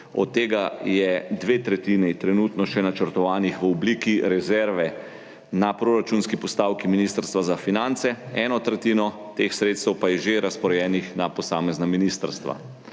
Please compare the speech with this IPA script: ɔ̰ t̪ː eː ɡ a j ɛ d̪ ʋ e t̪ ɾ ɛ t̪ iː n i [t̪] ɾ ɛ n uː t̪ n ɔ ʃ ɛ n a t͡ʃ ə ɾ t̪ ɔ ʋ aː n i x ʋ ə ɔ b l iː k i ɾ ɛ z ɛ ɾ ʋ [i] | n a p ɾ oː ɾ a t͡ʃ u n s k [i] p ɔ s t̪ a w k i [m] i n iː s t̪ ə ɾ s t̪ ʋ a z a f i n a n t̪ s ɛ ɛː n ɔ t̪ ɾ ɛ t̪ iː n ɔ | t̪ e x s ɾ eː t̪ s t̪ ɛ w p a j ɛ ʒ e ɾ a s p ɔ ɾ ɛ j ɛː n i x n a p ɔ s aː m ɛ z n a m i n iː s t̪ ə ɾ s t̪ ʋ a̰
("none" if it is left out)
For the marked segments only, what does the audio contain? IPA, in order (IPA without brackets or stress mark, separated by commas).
t̪, ɛ, i, m